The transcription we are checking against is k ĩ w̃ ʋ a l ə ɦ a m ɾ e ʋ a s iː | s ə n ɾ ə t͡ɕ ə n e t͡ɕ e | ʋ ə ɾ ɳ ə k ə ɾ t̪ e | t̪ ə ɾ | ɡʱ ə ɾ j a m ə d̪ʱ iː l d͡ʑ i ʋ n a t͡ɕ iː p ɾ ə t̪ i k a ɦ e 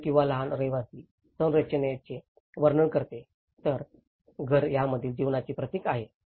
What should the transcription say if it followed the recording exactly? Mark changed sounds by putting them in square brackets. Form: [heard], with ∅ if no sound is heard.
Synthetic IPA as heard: k ĩ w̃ ʋ a l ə ɦ a [n] ɾ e ʋ a s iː | s ə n ɾ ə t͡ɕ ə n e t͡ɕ e | ʋ ə ɾ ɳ ə k ə ɾ t̪ e | t̪ ə ɾ | ɡʱ ə ɾ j a m ə d̪ʱ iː l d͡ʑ i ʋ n a t͡ɕ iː p ɾ ə t̪ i k a ɦ e